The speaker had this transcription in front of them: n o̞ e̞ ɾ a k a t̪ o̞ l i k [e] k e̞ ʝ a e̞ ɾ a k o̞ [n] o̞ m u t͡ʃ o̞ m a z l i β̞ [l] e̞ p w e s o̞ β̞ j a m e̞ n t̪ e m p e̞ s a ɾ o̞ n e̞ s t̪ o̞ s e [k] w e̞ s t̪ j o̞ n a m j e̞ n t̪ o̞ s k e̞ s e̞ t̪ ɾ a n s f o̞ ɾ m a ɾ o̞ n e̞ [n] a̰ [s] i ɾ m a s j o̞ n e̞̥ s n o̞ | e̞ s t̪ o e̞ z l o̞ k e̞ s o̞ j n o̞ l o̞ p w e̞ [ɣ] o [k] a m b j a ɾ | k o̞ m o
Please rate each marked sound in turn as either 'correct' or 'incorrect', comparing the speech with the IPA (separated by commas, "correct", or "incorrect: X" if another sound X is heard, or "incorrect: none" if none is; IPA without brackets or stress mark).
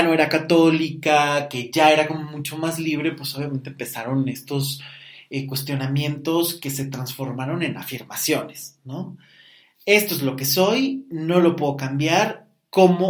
incorrect: a, incorrect: m, incorrect: ɾ, correct, correct, incorrect: f, incorrect: ð, correct